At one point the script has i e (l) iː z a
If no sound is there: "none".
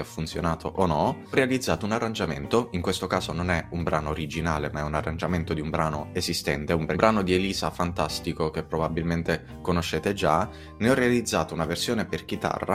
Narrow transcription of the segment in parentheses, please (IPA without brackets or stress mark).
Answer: l